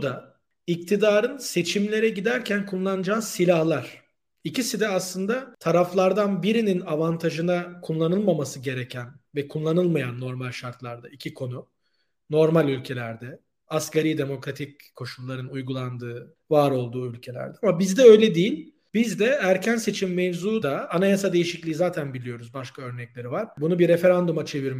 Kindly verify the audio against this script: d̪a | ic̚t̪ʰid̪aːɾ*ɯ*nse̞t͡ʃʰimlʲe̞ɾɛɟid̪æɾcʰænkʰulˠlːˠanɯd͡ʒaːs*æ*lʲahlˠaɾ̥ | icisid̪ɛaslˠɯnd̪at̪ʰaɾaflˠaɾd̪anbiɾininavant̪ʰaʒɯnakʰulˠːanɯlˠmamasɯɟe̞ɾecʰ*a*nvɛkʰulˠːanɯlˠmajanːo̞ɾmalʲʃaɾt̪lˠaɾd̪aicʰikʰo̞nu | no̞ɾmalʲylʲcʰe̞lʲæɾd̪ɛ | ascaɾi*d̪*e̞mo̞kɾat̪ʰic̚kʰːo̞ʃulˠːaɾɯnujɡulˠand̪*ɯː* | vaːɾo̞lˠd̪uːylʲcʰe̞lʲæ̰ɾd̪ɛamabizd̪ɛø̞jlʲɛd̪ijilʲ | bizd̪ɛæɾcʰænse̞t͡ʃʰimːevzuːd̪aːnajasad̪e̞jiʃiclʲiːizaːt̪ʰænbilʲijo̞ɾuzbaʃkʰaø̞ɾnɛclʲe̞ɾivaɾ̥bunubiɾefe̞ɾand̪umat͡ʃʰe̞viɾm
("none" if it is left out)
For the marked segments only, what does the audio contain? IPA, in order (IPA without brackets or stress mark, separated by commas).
ɯ, i, æ, d̪, ɯː